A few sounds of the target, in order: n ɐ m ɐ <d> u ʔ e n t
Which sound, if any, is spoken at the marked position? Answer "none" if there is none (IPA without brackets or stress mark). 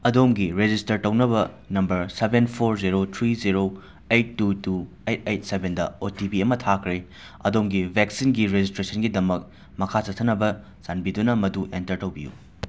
d